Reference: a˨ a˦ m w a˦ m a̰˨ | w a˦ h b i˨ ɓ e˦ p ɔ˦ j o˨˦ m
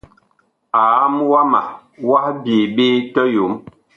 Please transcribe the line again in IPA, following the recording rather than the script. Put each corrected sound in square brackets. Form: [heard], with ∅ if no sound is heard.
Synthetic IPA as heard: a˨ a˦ m w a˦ m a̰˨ | w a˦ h b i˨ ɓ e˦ [t] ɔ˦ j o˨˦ m